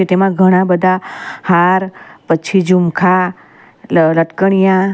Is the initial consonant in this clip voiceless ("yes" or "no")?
yes